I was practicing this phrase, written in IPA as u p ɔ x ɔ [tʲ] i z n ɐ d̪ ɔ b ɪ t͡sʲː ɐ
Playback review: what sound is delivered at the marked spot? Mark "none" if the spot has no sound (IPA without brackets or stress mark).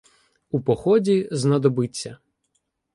dʲ